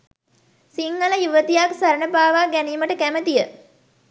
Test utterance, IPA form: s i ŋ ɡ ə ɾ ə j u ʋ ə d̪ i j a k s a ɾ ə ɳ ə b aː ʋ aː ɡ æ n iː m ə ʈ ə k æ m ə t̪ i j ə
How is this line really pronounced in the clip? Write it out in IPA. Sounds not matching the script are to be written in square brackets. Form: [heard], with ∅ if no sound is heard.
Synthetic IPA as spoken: s i ŋ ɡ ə [l] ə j u ʋ ə [t̪] i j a k s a ɾ ə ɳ ə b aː ʋ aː ɡ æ n iː m ə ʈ ə k æ m ə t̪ i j ə